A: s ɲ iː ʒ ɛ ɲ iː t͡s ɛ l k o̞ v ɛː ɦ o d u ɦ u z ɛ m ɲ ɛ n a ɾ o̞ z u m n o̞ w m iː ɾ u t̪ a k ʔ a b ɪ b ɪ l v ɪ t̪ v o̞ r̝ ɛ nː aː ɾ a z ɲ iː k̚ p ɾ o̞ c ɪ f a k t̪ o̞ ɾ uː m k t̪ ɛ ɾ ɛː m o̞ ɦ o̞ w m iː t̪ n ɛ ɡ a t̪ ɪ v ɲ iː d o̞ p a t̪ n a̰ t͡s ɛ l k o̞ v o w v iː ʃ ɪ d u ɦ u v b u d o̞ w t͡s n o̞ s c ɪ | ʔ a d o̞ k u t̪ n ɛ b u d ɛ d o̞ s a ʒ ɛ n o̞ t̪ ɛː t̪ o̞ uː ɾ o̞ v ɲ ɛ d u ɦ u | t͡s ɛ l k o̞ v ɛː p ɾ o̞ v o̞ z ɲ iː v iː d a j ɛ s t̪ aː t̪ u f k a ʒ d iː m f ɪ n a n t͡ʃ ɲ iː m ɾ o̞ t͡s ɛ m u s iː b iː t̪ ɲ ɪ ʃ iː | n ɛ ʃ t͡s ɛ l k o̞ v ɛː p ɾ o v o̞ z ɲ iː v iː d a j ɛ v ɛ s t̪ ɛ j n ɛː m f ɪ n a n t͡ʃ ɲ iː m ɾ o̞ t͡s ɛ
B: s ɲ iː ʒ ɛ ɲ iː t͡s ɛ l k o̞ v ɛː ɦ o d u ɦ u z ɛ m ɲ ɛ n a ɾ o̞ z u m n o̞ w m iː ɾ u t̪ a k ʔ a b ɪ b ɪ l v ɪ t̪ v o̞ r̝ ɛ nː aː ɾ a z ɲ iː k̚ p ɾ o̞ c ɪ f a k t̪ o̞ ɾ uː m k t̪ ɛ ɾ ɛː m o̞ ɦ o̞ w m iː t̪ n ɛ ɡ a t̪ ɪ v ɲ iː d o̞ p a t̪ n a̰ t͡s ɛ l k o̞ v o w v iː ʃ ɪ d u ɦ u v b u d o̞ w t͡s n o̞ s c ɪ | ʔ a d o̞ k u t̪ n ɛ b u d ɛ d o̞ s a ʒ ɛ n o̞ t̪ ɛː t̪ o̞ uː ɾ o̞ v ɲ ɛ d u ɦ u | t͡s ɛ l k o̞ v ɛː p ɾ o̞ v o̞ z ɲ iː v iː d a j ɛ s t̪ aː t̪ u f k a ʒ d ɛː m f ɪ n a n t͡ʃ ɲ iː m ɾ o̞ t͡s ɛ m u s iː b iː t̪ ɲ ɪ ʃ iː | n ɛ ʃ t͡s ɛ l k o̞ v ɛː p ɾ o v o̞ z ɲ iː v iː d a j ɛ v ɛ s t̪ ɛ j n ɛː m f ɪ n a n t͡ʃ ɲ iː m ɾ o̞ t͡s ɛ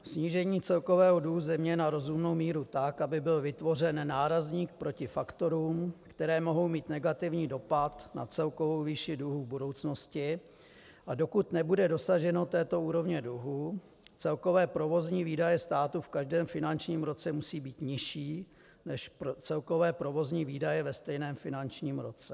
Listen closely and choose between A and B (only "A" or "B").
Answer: B